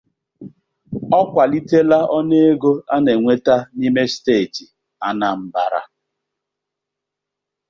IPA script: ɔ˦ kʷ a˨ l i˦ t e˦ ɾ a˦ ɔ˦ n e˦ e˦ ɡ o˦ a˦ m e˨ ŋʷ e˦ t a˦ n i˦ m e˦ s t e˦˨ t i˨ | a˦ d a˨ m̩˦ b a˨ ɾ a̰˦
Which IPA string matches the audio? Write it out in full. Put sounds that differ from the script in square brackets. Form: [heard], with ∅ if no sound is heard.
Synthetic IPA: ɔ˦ kʷ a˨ l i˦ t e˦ [l] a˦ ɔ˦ n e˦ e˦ ɡ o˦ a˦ [n] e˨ ŋʷ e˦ t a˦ n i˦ m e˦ s t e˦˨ t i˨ | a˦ [n] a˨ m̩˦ b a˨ ɾ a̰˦

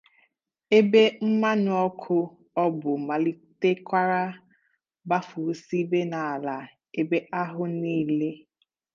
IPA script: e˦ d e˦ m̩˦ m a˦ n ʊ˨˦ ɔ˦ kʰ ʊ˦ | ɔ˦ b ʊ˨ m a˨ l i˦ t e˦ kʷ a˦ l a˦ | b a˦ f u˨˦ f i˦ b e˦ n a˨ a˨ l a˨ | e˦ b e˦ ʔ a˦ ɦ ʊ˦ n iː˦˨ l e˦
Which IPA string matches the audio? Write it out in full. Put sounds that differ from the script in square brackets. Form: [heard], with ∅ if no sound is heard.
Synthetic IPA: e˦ [b] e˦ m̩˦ m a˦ n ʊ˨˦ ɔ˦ kʰ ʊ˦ | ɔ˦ b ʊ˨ m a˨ l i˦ t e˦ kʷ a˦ [ɾ] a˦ | b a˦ f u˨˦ [s] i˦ b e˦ n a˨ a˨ l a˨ | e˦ b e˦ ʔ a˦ ɦ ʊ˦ n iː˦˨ l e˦

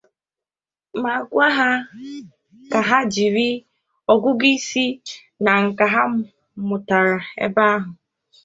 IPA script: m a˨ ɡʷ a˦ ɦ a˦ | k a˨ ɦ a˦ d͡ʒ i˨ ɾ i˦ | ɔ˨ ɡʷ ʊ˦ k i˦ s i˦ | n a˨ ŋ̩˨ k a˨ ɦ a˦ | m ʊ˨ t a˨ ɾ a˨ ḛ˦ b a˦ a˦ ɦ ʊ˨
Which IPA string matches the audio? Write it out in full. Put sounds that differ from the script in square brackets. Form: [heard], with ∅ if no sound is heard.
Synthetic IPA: m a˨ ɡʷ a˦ ɦ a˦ | k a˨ ɦ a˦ d͡ʒ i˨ ɾ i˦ | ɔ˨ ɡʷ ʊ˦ [ɡ] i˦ s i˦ | n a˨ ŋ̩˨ k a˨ ɦ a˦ | m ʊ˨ t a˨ ɾ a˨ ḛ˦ b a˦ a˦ ɦ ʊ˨

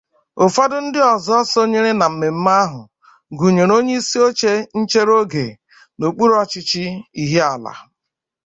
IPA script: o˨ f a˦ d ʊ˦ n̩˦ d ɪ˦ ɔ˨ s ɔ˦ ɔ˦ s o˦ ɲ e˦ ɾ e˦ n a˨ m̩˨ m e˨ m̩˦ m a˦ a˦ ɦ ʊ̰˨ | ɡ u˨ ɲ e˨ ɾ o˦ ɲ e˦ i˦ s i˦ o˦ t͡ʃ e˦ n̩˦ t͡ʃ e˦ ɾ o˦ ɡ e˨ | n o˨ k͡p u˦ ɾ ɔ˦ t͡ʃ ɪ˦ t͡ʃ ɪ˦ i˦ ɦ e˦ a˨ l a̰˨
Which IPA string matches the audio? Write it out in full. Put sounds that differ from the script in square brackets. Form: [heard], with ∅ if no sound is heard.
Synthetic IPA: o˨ f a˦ d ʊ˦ n̩˦ d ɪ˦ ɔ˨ [z] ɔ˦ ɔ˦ s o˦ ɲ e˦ ɾ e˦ n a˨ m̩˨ m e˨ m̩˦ m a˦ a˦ ɦ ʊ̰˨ | ɡ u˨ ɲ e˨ ɾ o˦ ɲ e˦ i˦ s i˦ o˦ t͡ʃ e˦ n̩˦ t͡ʃ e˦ ɾ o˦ ɡ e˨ | n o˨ k͡p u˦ ɾ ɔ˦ t͡ʃ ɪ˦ t͡ʃ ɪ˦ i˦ ɦ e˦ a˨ l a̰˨

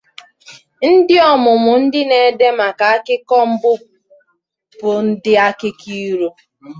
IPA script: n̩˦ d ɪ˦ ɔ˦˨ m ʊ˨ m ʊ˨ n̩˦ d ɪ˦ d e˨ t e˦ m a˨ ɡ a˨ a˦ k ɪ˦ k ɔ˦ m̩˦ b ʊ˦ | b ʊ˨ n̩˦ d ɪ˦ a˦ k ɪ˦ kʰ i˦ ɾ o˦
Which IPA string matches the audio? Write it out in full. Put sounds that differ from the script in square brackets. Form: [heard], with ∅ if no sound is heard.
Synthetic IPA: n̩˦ d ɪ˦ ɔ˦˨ m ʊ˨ m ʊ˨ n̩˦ d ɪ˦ [n] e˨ [d] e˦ m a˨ [k] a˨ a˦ k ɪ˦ k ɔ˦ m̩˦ b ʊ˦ | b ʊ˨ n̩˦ d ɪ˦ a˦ k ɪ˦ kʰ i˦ ɾ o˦

